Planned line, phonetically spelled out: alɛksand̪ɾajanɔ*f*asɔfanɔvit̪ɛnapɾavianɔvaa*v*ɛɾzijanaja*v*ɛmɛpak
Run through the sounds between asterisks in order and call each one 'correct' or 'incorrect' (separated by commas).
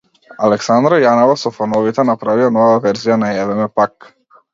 incorrect, correct, correct